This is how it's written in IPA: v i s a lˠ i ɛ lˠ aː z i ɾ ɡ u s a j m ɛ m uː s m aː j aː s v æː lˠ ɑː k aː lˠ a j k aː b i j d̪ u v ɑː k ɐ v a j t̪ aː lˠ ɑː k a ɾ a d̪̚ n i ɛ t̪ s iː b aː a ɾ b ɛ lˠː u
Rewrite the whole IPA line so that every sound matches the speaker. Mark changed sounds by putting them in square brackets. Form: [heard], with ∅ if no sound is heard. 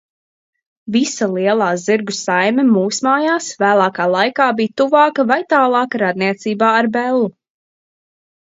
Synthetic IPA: v i s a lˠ i ɛ lˠ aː z i ɾ ɡ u s a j m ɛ m uː s m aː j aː s v æː lˠ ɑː k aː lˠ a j k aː b i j [t̪] u v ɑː k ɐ v a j t̪ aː lˠ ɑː k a ɾ a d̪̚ n i ɛ t̪ s iː b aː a ɾ b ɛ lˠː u